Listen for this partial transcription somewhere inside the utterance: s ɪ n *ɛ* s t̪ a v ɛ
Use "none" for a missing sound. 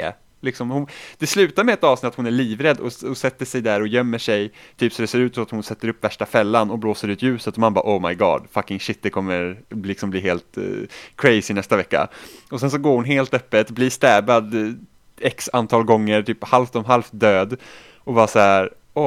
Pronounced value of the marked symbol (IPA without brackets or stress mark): ɛ